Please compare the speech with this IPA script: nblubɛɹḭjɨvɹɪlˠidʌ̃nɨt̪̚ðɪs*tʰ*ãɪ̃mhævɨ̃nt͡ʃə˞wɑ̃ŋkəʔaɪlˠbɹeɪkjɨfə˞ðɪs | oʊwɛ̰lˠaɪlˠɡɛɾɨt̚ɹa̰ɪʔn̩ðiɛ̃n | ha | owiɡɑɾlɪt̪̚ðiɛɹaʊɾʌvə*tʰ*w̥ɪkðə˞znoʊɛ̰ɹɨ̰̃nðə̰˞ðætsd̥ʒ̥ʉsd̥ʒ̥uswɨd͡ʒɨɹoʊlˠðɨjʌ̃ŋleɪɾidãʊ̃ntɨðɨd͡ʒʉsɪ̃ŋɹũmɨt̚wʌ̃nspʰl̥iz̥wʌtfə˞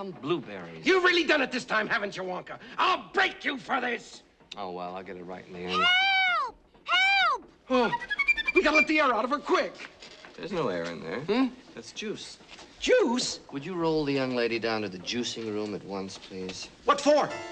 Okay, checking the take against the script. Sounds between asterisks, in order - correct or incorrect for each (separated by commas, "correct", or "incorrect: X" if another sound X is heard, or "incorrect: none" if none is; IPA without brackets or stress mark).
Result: correct, incorrect: kʰ